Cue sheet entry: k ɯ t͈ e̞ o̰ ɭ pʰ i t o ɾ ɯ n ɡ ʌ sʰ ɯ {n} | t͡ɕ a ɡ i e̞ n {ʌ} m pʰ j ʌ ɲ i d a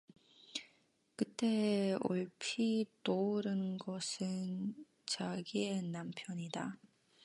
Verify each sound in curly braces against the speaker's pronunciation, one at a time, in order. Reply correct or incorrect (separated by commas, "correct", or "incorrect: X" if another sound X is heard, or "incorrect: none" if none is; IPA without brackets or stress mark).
correct, incorrect: a